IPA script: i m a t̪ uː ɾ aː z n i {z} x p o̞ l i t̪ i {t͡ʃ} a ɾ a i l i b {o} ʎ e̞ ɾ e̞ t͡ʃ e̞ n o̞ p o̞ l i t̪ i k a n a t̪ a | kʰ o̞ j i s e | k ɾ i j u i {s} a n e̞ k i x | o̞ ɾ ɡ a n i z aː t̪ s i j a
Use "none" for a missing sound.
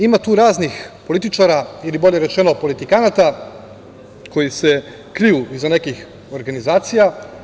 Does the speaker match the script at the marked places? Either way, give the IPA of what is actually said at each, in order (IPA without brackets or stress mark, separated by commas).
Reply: none, t͡ʃ, o, z